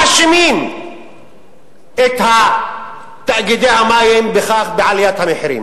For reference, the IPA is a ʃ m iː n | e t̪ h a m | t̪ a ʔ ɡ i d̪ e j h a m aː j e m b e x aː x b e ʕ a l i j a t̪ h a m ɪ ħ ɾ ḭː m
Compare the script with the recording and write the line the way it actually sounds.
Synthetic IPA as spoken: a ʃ m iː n | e t̪ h a | t̪ a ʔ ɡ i d̪ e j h a m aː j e m b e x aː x b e ʕ a l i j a t̪ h a m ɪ ħ ɾ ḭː m